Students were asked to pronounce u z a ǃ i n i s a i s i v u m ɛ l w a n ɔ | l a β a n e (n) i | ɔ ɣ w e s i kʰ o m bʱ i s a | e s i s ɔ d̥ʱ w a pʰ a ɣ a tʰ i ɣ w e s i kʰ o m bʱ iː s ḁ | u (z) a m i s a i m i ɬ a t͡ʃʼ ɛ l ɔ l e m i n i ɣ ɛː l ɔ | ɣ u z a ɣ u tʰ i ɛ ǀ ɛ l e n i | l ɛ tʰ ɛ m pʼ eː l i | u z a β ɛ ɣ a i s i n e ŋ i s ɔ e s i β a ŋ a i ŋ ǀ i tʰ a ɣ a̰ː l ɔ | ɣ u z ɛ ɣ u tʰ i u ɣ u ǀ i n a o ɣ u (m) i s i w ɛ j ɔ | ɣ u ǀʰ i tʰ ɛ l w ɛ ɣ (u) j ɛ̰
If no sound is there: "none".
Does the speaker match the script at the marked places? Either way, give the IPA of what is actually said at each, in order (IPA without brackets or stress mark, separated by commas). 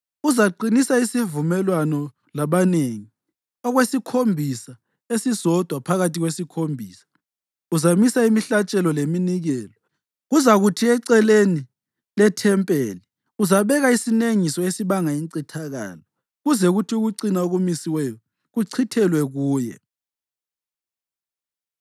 ŋ, z, m, uː